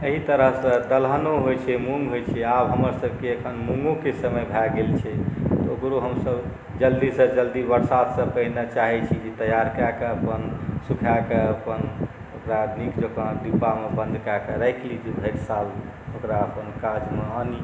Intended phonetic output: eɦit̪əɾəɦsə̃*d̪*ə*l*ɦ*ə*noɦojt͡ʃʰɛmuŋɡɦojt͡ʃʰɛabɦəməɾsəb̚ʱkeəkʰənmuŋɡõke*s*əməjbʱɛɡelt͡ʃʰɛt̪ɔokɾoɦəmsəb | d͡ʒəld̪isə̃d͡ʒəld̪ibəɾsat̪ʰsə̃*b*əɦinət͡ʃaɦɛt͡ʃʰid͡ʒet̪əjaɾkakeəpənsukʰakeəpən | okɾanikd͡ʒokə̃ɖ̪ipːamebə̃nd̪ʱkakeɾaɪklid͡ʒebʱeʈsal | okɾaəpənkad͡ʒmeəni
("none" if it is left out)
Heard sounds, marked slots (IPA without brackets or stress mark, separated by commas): d̪, l, ə, s, p